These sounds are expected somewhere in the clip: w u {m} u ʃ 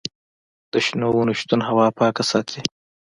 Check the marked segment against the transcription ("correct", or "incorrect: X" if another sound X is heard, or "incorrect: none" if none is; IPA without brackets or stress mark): incorrect: n